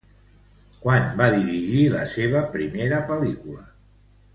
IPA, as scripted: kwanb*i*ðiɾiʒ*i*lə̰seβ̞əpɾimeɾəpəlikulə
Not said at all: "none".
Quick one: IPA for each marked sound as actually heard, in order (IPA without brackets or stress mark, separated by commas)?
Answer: a, i